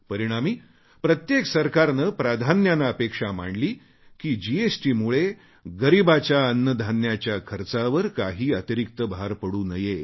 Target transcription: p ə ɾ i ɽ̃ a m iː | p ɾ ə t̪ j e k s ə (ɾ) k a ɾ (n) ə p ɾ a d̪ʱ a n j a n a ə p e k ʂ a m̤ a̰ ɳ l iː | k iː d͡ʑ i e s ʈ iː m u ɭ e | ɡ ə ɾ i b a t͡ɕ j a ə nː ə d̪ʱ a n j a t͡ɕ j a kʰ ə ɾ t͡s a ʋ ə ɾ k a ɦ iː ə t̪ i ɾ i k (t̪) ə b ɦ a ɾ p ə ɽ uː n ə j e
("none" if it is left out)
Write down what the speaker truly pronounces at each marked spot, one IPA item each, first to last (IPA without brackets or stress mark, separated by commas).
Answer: ɾ, n, t̪